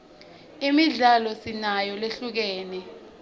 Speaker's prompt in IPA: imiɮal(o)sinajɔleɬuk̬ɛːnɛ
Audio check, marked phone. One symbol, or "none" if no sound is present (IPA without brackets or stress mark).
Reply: ɔ